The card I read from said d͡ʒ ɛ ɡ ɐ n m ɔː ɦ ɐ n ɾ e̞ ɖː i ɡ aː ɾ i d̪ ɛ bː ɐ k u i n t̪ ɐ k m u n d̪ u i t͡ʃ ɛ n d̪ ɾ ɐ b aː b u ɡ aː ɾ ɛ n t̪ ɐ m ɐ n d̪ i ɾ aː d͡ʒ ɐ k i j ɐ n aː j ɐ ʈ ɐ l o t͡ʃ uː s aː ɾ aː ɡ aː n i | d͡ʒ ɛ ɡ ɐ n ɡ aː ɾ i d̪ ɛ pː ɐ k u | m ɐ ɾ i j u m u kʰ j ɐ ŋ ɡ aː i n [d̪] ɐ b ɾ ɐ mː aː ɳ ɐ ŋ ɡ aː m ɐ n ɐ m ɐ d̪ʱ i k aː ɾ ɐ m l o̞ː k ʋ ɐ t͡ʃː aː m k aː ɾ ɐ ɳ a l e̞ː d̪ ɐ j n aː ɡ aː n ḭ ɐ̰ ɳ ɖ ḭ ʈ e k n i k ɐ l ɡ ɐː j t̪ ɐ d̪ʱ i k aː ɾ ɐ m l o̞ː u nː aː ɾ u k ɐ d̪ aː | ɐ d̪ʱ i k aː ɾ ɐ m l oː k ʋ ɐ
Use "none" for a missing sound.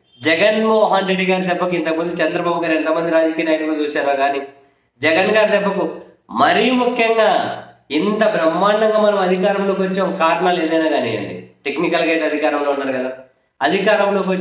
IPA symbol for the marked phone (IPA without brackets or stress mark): t̪